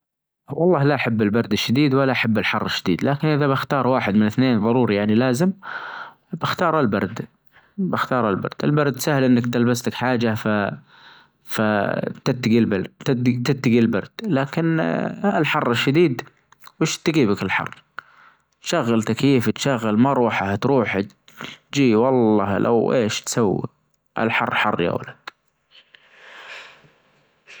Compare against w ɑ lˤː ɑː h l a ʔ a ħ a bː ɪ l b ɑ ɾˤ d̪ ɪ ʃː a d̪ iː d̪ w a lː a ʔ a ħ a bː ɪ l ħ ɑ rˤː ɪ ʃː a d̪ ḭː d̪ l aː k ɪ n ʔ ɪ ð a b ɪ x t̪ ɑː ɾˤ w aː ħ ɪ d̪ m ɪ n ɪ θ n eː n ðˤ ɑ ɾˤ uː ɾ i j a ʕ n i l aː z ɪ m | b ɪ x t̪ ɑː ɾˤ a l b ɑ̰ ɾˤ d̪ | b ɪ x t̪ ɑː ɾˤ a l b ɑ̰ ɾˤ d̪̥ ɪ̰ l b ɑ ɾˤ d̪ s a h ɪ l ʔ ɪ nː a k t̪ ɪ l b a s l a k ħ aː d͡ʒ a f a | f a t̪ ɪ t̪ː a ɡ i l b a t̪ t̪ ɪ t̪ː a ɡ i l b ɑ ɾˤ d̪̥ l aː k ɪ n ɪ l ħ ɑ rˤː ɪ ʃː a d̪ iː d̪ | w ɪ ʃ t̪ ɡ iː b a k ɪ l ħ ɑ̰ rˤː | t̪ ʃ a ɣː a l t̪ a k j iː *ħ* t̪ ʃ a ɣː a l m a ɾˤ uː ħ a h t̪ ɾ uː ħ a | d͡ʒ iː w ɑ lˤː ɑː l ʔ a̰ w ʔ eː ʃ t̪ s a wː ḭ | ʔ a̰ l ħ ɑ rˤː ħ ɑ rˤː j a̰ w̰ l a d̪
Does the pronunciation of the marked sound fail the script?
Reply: yes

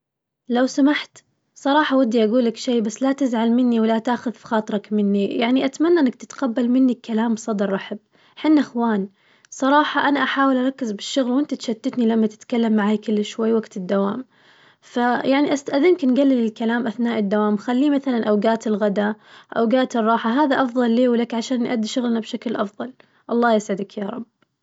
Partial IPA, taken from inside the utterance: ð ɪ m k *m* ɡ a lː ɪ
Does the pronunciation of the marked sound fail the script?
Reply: yes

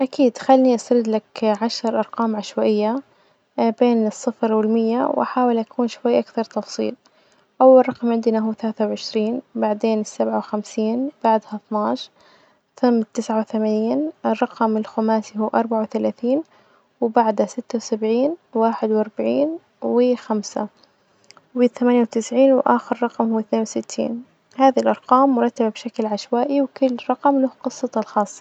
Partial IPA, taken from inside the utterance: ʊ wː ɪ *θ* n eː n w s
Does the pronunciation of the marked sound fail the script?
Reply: no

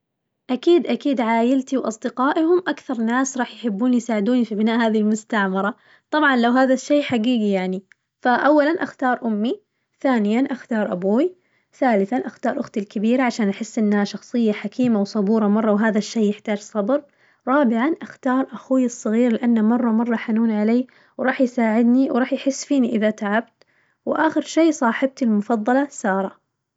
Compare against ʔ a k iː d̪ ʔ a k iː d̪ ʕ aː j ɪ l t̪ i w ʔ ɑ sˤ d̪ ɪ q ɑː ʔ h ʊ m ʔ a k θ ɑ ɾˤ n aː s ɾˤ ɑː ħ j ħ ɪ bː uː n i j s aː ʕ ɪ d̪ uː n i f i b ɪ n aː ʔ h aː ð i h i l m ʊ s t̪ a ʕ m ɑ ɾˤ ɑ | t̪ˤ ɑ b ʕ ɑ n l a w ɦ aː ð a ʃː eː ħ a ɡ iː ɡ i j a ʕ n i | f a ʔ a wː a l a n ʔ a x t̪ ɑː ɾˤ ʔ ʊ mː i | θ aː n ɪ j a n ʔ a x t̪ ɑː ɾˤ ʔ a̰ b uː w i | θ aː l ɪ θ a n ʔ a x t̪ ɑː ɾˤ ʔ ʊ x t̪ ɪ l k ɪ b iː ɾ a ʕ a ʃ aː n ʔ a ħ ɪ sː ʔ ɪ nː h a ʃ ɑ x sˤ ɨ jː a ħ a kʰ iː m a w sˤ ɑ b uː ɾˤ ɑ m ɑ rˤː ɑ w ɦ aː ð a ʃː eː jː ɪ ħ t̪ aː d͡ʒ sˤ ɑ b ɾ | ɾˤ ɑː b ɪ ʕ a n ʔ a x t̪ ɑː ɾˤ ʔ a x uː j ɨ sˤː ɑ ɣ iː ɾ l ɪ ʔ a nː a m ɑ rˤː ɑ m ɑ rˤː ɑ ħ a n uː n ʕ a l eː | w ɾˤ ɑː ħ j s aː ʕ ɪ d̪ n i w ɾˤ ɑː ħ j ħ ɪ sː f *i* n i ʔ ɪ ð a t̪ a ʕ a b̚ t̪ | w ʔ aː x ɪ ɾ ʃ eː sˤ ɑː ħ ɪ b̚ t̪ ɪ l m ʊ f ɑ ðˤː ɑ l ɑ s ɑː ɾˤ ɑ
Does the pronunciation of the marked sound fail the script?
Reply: yes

